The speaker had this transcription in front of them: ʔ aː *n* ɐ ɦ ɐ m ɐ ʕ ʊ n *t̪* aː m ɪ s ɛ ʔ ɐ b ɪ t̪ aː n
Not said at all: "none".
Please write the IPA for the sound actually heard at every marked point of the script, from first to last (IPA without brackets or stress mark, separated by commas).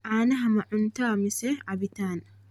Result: n, t̪